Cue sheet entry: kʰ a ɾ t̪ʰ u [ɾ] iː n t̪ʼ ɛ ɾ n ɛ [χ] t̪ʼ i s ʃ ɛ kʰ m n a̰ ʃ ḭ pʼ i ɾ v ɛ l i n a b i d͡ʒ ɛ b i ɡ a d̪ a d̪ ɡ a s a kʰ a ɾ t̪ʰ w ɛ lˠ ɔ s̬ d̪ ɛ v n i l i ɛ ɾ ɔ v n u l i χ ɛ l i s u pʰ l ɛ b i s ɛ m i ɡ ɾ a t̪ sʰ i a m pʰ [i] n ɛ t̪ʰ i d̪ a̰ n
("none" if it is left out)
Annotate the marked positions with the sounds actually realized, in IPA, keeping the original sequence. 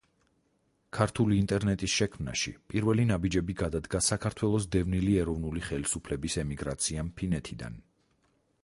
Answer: l, none, i

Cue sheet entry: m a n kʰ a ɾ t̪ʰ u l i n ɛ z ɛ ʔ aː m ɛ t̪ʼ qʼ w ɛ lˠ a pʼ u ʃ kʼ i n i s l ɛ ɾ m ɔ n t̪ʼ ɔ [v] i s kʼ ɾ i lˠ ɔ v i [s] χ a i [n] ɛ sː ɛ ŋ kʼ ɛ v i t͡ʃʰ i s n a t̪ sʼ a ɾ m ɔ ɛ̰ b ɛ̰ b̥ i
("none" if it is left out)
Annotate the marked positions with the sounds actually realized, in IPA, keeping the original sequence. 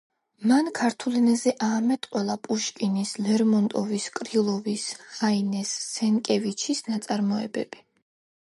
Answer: v, s, n

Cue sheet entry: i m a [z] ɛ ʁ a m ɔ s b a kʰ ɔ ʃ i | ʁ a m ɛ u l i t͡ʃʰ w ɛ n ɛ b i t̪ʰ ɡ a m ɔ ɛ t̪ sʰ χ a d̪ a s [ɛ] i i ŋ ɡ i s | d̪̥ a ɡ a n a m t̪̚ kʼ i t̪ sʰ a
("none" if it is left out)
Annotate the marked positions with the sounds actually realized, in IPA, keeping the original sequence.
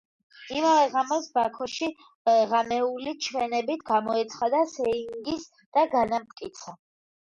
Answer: v, ɛ

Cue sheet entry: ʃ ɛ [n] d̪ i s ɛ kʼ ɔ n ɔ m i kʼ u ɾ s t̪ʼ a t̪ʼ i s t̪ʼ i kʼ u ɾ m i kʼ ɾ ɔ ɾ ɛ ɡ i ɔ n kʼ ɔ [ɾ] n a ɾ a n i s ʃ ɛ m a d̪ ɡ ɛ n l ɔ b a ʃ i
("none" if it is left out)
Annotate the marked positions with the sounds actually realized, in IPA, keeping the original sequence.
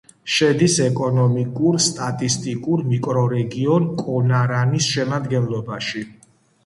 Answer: none, none

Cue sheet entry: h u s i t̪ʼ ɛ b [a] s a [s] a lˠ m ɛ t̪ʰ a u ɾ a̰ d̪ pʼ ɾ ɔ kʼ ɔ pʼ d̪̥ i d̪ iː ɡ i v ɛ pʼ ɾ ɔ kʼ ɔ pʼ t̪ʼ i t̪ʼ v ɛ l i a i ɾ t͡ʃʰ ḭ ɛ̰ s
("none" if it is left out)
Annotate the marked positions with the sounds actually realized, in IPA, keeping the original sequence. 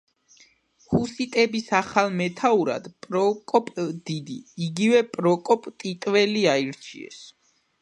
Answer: i, χ

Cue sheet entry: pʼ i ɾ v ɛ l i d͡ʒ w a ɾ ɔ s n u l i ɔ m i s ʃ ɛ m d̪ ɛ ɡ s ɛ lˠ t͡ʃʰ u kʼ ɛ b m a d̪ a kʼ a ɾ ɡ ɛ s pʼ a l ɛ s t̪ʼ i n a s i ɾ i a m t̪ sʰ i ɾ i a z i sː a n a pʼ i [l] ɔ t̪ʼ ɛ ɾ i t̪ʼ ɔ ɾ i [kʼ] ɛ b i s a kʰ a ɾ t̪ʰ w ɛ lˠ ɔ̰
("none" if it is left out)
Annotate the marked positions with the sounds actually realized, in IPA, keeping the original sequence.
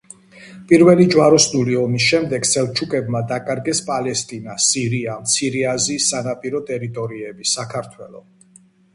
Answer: ɾ, none

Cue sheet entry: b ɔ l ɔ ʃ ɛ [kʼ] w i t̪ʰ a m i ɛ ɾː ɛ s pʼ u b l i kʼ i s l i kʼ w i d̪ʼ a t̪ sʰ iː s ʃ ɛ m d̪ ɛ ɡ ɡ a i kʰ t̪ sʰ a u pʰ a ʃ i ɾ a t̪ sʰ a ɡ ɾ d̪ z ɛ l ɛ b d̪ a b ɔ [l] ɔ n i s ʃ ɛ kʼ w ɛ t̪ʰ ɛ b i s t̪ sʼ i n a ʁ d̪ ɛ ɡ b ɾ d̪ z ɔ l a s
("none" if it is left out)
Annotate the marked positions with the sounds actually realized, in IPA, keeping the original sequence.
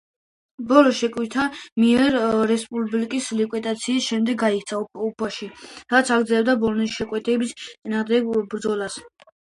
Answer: kʼ, l

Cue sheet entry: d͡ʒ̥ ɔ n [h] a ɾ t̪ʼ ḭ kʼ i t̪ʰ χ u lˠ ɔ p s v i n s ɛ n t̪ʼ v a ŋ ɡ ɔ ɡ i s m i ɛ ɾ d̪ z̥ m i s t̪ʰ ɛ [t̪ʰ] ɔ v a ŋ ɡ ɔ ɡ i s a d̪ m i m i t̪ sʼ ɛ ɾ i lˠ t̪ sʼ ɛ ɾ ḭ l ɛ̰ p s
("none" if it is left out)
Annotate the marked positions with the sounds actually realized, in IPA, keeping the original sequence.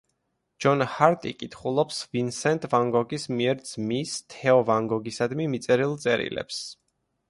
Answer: h, none

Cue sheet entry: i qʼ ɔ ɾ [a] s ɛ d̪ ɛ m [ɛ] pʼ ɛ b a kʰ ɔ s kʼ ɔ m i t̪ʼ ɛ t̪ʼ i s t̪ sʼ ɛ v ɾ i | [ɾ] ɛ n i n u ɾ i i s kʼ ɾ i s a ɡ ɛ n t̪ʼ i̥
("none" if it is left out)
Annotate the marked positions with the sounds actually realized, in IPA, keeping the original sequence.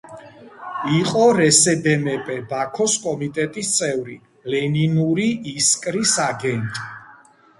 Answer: ɛ, ɛ, l

